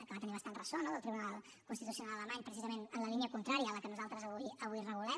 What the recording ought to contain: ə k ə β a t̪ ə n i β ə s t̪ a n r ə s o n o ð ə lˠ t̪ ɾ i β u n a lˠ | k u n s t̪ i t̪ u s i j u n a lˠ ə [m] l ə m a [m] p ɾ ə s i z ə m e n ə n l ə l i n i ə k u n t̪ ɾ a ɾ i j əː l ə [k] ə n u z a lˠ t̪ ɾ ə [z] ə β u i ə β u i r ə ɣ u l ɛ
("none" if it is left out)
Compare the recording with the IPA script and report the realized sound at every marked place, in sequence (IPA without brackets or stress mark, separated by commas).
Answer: none, ɲ, k, z